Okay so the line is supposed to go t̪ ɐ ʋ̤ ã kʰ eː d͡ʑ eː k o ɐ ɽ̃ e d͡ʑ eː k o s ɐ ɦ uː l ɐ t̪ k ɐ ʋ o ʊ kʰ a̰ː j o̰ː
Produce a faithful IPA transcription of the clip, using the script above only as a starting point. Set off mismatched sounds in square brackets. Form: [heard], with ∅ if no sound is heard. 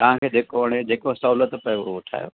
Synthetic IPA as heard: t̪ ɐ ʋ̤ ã kʰ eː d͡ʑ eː k o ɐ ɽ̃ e d͡ʑ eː k o s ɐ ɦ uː l [ə] t̪ [p] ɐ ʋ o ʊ [ʈʰ] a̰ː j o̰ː

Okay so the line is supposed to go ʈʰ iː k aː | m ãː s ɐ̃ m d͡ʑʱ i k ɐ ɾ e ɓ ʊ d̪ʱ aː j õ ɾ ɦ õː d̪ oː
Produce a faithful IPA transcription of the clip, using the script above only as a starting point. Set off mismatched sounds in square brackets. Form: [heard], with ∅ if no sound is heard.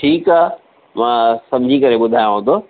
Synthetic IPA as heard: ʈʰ iː k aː | m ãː s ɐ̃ m d͡ʑʱ i k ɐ ɾ e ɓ ʊ d̪ʱ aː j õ [∅] ɦ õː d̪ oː

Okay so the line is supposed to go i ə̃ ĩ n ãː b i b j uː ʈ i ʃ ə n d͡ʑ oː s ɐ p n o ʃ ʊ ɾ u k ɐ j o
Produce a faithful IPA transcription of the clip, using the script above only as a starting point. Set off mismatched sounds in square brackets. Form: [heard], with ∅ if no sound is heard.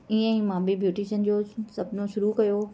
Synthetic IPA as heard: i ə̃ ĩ [m] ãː b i b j uː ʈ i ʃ ə n d͡ʑ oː s ɐ [b] n o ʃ ʊ ɾ u k ɐ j o

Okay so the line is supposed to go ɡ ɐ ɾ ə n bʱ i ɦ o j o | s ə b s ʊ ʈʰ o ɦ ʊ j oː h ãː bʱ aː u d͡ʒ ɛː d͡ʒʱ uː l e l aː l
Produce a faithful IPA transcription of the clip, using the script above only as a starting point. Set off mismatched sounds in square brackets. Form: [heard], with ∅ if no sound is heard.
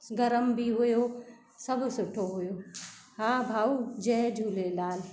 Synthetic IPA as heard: ɡ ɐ ɾ ə [m] bʱ i ɦ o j o | s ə b s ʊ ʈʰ o ɦ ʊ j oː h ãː bʱ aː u d͡ʒ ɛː d͡ʒʱ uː l e l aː l

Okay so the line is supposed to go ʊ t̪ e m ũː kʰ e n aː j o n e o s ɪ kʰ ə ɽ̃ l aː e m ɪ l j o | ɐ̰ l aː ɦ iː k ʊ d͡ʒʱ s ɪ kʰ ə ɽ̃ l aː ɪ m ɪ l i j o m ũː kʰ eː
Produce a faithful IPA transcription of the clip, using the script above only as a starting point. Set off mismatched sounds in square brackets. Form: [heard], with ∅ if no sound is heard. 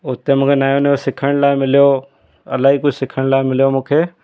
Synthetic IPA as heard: ʊ t̪ e m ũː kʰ e n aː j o n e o s ɪ kʰ ə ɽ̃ l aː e m ɪ l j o | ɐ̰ l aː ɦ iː k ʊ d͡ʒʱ s ɪ kʰ ə ɽ̃ l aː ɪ m ɪ l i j o m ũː kʰ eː

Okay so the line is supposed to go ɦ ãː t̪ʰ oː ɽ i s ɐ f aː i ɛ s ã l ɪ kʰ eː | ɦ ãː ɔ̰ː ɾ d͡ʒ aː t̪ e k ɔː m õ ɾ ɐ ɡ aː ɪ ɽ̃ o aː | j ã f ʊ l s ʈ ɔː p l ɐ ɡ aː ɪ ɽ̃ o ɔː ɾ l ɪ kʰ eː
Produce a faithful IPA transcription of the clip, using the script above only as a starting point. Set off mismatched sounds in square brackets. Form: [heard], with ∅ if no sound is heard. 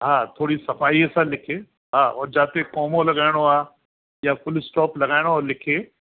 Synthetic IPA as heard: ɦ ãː t̪ʰ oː ɽ i s ɐ f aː i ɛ s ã l ɪ kʰ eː | ɦ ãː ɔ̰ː ɾ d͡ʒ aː t̪ e k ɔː m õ [l] ɐ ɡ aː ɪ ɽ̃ o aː | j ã f ʊ l s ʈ ɔː p l ɐ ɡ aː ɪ ɽ̃ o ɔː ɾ l ɪ kʰ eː

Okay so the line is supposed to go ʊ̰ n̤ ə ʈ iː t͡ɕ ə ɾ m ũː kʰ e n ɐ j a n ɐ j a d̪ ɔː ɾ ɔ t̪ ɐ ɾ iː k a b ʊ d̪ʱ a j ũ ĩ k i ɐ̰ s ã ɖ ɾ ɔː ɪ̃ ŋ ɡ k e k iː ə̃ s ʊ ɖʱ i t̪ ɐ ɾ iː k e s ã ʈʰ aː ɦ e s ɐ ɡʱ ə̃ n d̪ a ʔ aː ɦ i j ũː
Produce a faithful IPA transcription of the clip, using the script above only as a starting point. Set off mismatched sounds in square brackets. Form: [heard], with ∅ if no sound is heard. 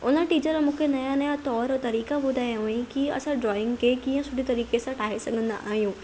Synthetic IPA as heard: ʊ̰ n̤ ə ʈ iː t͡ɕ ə ɾ m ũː kʰ e n ɐ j a n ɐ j a [t̪] ɔː ɾ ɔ t̪ ɐ ɾ iː k a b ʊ d̪ʱ a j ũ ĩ k i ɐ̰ s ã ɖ ɾ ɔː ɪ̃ ŋ ɡ k e k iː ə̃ s ʊ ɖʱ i t̪ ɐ ɾ iː k e s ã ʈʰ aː ɦ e s ɐ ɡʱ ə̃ n d̪ a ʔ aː ɦ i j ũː

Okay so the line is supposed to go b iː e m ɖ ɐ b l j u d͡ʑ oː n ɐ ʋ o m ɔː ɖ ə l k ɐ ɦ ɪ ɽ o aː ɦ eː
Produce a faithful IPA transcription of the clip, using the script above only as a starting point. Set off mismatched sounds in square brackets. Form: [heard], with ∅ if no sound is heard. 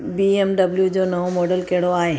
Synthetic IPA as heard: b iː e m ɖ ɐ b l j u d͡ʑ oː n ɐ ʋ o m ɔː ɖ ə l k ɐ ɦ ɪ ɽ o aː ɦ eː

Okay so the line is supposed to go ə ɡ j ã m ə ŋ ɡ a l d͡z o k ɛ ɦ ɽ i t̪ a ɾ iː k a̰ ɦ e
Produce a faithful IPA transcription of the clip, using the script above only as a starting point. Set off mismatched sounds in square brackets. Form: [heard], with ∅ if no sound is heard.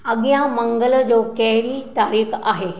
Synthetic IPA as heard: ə ɡ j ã m ə ŋ ɡ [ə] l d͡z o k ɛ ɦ [ɾ] i t̪ a ɾ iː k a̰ ɦ e

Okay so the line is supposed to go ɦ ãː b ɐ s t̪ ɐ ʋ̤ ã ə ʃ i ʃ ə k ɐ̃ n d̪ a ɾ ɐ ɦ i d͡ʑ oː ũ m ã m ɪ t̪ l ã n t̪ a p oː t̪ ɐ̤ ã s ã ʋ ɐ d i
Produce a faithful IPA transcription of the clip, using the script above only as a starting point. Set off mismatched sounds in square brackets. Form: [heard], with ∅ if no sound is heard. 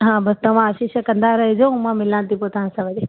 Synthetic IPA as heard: ɦ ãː b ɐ s t̪ ɐ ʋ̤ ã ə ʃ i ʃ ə k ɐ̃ n d̪ a ɾ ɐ ɦ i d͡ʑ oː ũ m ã m ɪ [∅] l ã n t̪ [i] p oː t̪ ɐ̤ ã s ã ʋ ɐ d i

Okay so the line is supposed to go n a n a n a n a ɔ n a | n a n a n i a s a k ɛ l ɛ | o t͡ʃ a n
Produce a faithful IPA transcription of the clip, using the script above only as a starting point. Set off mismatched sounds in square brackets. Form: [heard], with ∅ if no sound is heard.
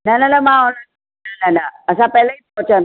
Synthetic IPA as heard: n a n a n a [m] a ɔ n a | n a n a n [a] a s a [p] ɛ l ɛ | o t͡ʃ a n

